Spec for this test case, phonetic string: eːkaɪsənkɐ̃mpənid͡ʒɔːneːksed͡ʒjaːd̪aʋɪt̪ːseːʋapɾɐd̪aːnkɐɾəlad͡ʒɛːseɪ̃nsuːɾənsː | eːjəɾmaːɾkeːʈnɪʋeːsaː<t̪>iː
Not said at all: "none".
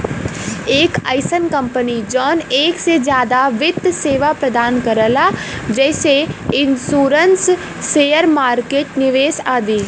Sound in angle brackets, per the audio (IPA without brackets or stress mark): d̪